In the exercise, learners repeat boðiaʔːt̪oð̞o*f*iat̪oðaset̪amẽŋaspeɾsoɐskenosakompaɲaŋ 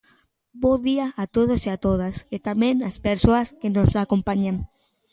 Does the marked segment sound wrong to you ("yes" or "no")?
yes